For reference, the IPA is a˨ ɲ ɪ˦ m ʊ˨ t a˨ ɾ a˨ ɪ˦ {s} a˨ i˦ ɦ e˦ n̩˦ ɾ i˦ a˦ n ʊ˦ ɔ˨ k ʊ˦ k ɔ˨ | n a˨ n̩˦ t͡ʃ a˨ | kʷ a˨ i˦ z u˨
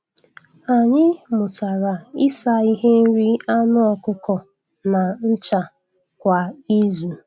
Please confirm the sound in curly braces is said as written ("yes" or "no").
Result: yes